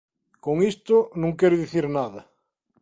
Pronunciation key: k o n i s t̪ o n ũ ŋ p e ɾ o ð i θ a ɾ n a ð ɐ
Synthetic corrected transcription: k o ŋ i s t̪ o n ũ ŋ k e ɾ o ð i θ i ɾ n a ð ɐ